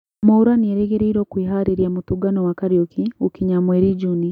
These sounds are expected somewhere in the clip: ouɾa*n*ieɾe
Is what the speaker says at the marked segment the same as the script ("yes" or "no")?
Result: yes